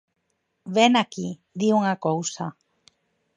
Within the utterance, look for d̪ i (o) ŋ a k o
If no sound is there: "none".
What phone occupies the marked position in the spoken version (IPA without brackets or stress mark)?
u